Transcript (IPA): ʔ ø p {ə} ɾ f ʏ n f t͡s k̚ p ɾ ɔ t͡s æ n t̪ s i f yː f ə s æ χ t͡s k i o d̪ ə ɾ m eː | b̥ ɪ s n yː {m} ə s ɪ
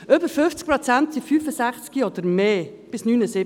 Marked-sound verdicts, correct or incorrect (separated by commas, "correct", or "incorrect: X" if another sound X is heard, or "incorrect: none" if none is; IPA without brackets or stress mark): correct, incorrect: n